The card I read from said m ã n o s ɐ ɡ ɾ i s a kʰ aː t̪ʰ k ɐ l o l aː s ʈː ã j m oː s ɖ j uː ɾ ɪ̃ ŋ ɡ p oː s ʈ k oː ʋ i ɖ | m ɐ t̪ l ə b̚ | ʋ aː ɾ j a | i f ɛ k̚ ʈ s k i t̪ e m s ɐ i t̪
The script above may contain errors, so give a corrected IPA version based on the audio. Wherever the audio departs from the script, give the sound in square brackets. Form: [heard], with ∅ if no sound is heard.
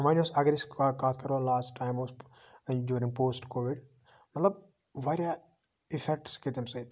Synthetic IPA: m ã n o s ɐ ɡ ɾ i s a [k] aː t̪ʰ k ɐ [ɾ] o l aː s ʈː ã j m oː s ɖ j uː ɾ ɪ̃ ŋ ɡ p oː s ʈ k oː ʋ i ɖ | m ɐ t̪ l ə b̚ | ʋ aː ɾ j a | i f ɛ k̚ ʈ s k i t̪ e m s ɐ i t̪

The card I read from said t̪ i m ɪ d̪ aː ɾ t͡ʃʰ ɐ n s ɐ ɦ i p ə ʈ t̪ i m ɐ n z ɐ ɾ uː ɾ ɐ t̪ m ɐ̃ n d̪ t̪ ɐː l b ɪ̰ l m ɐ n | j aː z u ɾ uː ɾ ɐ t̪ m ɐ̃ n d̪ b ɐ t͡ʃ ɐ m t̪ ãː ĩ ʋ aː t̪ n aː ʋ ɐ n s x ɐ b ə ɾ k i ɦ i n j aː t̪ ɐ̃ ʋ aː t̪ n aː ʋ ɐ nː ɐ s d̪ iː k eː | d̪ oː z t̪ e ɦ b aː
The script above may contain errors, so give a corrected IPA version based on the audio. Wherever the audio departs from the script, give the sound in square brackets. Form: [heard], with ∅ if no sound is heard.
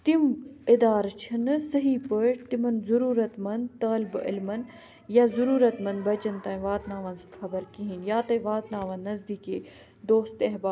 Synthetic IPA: t̪ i m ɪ d̪ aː ɾ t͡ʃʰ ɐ n s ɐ ɦ i p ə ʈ t̪ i m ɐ n z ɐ ɾ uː ɾ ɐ t̪ m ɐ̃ n d̪ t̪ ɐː l b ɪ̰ l m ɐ n | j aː z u ɾ uː ɾ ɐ t̪ m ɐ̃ n d̪ b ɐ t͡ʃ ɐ [n] t̪ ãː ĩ ʋ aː t̪ n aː ʋ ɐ n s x ɐ b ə ɾ k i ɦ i n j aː t̪ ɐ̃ ʋ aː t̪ n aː ʋ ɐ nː ɐ [z] d̪ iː k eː | d̪ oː [s] t̪ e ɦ b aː

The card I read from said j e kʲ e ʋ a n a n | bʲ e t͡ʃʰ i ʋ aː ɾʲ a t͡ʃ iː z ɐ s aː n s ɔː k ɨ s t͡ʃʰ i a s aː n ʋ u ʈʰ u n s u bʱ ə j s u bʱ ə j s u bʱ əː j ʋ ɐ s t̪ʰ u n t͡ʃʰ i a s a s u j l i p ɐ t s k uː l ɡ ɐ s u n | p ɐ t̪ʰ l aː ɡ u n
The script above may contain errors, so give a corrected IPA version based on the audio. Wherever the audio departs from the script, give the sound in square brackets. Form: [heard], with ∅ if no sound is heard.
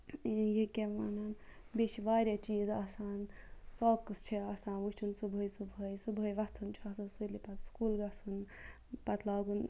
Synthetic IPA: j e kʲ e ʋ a n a n | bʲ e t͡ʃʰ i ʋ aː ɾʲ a t͡ʃ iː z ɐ s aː n s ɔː k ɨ s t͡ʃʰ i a s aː n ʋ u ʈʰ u n s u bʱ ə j s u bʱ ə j s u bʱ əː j ʋ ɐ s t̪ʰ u n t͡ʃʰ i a s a s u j l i p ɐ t s k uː l ɡ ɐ s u n | p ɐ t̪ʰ l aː ɡ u n

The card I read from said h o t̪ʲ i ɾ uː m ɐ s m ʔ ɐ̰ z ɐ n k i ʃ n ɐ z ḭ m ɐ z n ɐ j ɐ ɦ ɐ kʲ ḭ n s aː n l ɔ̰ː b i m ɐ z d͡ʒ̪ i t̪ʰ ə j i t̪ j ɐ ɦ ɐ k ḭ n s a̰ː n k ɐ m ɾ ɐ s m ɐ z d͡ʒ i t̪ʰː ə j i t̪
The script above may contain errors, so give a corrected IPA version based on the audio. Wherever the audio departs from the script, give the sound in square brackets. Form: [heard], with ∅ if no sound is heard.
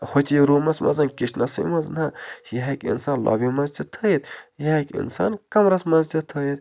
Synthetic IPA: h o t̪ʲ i ɾ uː m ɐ s m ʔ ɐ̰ z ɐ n k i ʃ n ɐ [s] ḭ m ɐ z n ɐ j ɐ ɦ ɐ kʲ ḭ n s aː n l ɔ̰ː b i m ɐ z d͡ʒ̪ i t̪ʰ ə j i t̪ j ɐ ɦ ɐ k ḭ n s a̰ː n k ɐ m ɾ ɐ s m ɐ z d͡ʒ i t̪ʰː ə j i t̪

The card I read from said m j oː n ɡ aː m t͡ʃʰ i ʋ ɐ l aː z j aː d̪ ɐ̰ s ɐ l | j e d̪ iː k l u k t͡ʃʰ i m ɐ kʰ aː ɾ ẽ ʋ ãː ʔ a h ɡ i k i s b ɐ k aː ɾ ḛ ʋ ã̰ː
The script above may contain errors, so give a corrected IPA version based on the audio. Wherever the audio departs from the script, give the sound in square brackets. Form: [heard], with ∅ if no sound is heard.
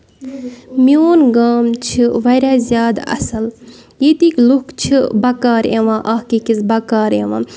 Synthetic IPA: m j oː n ɡ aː m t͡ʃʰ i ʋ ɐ [ɾ] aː z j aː d̪ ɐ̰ s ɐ l | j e [t̪] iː k l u k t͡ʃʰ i [b] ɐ [k] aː ɾ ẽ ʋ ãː ʔ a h [k] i k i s b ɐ k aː ɾ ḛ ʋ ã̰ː

